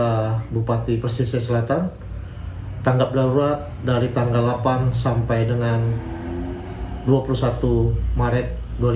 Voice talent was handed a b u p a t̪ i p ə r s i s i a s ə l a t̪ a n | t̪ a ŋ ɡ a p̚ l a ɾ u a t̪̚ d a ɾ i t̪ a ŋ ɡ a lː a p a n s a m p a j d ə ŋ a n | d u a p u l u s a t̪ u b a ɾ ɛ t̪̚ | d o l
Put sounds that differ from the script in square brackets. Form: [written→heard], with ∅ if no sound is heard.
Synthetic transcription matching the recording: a b u p a t̪ i p ə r s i s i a s ə l a t̪ a n | t̪ a ŋ ɡ a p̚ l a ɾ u a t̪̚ d a ɾ i t̪ a ŋ ɡ a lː a p a n s a m p a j d ə ŋ a n | d u a p u l u s a t̪ u [b→m] a ɾ ɛ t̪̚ | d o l